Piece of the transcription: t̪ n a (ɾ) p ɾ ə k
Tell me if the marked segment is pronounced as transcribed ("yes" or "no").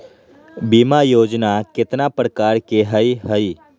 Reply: no